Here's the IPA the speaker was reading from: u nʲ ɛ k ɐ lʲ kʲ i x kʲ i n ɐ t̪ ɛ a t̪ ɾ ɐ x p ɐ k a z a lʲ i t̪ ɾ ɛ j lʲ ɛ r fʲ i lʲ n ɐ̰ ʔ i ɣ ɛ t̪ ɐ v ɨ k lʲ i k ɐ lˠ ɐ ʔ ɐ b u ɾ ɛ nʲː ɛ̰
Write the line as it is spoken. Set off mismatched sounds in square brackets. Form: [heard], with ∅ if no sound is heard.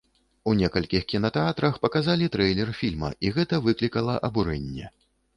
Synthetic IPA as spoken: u nʲ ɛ k ɐ lʲ kʲ i x kʲ i n ɐ t̪ ɛ a t̪ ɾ ɐ x p ɐ k a z a lʲ i t̪ ɾ ɛ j lʲ ɛ r fʲ i lʲ [m] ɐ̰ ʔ i ɣ ɛ t̪ ɐ v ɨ k lʲ i k ɐ lˠ ɐ ʔ ɐ b u ɾ ɛ nʲː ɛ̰